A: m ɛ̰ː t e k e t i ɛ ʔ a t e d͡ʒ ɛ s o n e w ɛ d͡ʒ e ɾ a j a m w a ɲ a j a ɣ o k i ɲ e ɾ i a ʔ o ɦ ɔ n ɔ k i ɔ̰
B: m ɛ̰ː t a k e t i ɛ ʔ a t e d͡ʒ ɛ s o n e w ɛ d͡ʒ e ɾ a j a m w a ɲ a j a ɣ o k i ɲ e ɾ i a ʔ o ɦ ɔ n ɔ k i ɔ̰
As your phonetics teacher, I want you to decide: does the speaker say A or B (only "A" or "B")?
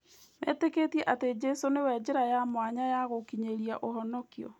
A